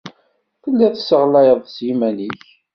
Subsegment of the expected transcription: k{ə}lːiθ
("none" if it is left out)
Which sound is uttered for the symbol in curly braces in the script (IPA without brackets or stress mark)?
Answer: ə